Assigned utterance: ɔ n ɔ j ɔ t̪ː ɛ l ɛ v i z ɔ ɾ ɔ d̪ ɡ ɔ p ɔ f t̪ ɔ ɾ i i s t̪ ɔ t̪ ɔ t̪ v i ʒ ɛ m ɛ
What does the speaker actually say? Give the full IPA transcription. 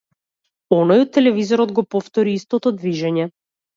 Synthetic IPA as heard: ɔ n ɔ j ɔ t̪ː ɛ l ɛ v i z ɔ ɾ ɔ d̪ ɡ ɔ p ɔ f t̪ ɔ ɾ i i s t̪ ɔ t̪ ɔ d̪ v i ʒ ɛ ɲ ɛ